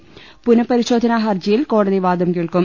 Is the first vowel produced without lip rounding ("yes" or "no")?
no